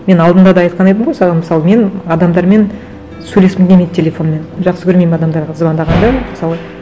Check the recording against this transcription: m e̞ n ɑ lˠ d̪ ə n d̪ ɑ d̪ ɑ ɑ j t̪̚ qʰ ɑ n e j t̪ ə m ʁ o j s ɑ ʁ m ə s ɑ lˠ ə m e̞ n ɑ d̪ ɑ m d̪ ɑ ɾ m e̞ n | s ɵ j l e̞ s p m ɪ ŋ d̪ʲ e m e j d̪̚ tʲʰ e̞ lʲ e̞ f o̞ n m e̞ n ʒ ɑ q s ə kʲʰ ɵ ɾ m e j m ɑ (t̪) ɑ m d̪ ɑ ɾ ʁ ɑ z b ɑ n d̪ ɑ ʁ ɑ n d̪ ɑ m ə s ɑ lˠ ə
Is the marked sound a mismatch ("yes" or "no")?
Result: yes